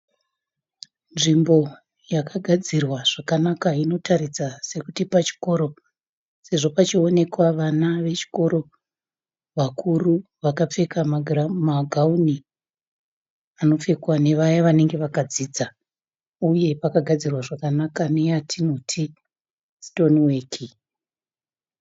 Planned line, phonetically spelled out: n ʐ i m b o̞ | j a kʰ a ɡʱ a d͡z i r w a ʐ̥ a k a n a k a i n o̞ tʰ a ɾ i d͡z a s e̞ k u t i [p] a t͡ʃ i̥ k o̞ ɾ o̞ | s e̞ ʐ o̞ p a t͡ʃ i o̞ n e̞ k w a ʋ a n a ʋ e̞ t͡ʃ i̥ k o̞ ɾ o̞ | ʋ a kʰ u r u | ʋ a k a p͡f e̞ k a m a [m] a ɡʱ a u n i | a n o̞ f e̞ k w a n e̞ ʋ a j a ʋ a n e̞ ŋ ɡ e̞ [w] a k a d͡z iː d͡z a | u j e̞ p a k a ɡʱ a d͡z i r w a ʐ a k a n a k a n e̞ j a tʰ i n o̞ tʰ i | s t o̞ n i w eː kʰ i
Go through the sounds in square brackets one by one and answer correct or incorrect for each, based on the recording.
correct, correct, incorrect: ʋ

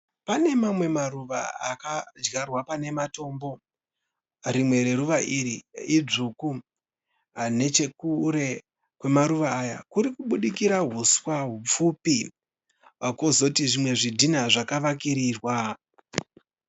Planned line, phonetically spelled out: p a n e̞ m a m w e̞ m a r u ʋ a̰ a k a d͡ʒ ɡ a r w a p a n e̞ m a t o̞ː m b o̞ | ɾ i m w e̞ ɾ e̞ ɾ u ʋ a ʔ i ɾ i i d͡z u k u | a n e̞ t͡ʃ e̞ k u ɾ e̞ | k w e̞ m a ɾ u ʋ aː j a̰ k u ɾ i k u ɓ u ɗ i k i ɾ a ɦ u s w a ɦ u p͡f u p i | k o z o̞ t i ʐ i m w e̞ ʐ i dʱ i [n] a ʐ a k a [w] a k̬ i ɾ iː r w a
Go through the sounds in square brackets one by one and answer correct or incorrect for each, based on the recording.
correct, incorrect: ʋ

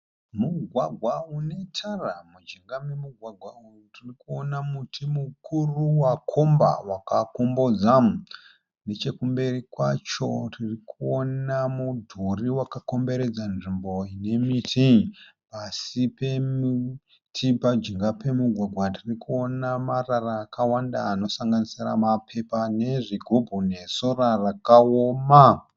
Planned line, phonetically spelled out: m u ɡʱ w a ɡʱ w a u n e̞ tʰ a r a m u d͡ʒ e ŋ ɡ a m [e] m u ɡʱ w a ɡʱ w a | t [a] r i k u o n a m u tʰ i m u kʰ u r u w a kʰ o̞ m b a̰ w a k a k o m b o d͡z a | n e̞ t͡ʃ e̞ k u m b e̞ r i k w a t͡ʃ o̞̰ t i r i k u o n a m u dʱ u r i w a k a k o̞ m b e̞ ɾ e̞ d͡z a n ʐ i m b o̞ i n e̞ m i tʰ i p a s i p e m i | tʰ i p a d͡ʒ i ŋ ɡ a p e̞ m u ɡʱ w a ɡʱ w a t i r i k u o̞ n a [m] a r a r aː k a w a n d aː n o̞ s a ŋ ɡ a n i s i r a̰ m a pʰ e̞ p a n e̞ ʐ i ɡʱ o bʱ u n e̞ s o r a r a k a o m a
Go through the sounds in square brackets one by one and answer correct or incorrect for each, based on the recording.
correct, incorrect: i, correct

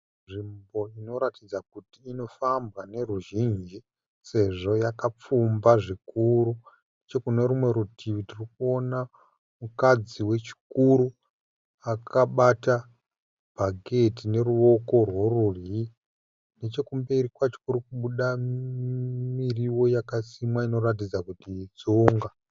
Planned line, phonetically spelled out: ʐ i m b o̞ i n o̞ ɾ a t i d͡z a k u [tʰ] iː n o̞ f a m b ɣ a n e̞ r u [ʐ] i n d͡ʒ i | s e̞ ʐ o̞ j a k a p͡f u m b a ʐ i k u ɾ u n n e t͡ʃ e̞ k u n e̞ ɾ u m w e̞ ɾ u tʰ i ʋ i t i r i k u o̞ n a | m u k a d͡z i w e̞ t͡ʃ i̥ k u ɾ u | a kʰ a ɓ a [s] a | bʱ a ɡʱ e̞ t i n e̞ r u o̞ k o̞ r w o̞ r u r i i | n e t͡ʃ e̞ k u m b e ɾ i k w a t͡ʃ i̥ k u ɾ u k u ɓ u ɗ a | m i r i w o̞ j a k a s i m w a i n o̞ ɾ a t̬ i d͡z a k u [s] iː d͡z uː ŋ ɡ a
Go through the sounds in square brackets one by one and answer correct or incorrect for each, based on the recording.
incorrect: t, incorrect: ʒ, incorrect: t, incorrect: t

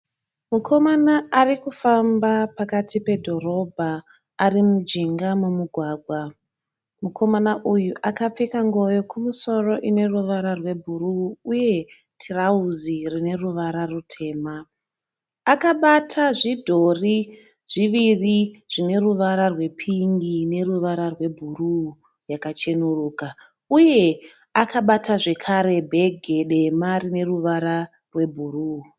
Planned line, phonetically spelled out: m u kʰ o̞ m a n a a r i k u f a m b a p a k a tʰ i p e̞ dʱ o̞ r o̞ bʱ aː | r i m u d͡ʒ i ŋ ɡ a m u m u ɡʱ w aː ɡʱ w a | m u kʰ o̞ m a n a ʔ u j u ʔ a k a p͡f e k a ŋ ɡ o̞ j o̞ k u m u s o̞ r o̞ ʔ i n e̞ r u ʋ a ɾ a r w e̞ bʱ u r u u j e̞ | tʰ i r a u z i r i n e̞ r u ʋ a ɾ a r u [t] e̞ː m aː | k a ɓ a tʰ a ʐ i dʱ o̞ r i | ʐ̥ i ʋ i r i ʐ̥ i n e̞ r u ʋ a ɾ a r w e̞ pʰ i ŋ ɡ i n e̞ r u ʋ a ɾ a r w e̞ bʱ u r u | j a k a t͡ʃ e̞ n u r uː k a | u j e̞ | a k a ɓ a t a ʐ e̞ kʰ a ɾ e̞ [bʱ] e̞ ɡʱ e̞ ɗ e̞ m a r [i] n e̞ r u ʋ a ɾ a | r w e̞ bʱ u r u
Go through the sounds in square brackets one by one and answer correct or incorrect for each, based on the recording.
incorrect: tʰ, correct, correct

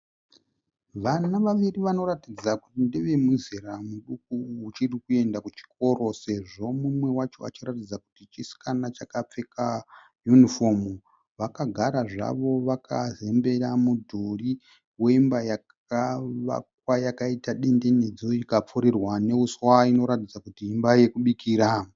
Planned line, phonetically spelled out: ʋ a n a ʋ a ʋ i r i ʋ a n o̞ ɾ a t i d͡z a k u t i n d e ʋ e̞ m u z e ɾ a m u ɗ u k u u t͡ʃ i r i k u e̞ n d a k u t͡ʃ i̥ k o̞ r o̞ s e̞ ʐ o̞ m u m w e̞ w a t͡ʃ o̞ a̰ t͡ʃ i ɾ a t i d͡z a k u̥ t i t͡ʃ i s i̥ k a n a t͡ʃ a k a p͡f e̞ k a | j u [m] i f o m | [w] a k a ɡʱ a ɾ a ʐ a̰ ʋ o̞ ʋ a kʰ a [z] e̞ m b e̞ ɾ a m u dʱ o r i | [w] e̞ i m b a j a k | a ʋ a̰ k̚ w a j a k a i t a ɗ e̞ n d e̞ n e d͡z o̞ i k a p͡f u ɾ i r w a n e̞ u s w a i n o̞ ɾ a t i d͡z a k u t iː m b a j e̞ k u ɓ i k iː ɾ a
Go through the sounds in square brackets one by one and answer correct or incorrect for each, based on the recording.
incorrect: n, incorrect: ʋ, correct, correct

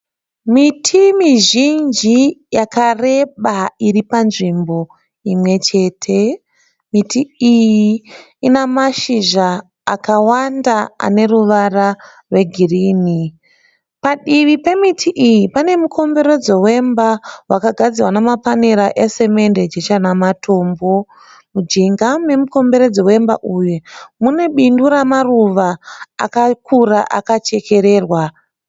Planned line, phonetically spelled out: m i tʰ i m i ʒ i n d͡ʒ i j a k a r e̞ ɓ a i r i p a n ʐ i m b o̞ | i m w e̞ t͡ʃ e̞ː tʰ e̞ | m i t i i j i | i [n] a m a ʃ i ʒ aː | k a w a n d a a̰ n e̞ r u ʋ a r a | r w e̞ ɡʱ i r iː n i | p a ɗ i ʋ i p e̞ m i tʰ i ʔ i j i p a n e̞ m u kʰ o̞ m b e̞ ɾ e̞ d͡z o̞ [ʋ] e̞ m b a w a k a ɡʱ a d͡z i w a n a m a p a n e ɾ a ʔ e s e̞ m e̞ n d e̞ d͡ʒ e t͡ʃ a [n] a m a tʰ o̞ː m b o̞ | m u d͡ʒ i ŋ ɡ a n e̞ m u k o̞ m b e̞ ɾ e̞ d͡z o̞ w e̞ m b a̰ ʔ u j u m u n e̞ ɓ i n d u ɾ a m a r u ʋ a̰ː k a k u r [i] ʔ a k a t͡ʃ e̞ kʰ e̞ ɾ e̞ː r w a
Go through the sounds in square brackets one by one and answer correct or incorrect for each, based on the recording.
correct, incorrect: w, correct, incorrect: a

